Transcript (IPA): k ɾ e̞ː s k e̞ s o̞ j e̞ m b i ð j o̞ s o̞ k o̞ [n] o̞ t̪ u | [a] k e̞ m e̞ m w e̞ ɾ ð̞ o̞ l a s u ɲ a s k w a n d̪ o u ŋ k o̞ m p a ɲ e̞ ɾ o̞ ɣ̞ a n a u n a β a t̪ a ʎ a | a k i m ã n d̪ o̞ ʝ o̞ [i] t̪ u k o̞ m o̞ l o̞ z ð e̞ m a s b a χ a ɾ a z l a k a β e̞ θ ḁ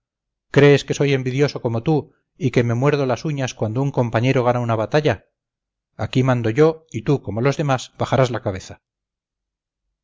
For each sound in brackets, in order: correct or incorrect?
incorrect, incorrect, correct

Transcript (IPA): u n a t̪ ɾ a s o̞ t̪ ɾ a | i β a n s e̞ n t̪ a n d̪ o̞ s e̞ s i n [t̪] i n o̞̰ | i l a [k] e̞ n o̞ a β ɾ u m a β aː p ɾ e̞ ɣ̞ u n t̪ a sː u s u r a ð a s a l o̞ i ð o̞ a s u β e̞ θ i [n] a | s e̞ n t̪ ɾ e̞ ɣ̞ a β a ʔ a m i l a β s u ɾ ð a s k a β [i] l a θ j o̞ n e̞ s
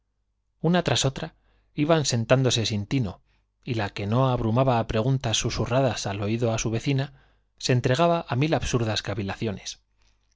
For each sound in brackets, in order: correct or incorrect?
correct, correct, correct, correct

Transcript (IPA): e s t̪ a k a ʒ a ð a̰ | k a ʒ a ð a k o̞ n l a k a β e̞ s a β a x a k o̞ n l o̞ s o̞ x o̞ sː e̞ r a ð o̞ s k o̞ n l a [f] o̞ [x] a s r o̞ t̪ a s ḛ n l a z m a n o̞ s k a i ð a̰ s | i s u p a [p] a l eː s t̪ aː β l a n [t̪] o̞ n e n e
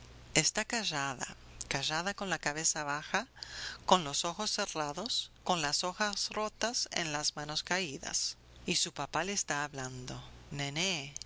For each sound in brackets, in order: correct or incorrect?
incorrect, correct, correct, incorrect

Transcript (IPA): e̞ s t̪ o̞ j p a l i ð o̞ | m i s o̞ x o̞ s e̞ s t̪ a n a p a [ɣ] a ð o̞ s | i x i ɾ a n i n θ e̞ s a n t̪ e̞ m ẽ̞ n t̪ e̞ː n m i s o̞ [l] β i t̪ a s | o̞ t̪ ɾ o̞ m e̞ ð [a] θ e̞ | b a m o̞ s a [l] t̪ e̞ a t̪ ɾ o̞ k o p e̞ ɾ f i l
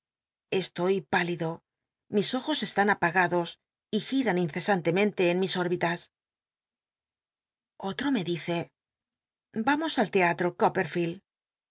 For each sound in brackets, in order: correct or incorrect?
correct, incorrect, incorrect, correct

